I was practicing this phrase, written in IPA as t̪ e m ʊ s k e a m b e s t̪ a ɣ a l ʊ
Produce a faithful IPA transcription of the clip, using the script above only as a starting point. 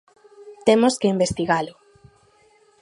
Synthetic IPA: t̪ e m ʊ s k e i m b e s t̪ i ɣ a l ʊ